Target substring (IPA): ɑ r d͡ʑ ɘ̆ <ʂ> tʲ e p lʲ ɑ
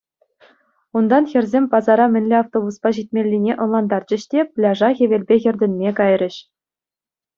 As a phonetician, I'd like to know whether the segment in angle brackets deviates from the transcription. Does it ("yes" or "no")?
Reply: yes